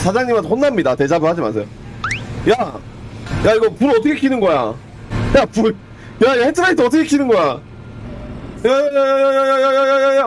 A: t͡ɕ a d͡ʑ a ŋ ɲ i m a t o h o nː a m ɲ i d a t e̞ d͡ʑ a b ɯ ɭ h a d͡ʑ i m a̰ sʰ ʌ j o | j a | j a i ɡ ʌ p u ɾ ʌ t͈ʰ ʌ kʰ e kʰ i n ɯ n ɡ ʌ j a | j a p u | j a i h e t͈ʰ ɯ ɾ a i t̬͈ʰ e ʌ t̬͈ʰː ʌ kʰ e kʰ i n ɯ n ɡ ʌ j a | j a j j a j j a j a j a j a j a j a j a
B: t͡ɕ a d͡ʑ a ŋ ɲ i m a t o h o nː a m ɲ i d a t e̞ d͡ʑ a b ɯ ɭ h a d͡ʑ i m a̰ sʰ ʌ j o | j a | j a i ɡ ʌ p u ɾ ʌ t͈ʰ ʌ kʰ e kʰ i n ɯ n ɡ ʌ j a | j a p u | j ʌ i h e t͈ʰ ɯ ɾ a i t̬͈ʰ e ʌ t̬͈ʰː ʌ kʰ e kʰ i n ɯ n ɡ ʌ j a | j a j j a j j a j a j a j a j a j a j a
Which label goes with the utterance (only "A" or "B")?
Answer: A